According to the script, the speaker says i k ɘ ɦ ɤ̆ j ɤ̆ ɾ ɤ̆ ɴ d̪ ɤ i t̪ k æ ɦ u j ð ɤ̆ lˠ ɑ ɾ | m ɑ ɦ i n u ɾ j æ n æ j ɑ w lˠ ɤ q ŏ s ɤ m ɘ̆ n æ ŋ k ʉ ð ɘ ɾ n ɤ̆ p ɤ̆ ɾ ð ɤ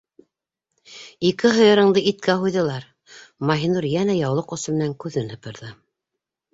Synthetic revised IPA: i k ɘ ɦ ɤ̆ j ɤ̆ ɾ ɤ̆ ɴ d̪ ɤ i t̪ k æ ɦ u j ð ɤ̆ lˠ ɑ ɾ | m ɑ ɦ i n u ɾ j æ n æ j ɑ w lˠ ɤ q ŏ s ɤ m ɘ̆ n æ ŋ k ʉ ð ɘ n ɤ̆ p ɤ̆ ɾ ð ɤ